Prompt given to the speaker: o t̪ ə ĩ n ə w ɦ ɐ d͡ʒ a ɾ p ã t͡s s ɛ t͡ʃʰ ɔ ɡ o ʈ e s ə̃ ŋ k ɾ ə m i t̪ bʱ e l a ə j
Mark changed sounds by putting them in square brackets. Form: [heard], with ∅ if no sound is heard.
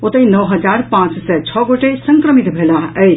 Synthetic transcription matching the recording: o t̪ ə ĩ n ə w ɦ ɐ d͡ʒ a ɾ p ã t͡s s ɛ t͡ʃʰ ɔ ɡ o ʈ e s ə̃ ŋ k ɾ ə m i t̪ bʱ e l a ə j